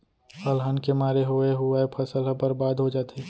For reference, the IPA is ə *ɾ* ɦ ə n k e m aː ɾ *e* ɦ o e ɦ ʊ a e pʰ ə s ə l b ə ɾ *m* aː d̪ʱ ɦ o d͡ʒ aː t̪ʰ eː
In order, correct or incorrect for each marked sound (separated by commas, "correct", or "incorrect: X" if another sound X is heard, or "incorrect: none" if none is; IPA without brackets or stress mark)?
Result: incorrect: l, correct, incorrect: b